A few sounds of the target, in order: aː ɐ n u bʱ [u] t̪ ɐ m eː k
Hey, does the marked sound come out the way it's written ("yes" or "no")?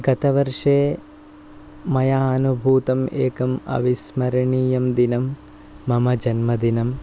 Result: no